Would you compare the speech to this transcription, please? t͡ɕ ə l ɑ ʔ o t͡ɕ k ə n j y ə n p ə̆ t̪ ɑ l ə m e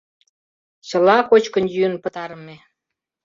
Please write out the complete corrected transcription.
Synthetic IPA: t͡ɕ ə l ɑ k o t͡ɕ k ə n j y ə n p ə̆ t̪ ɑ ɾ ə m e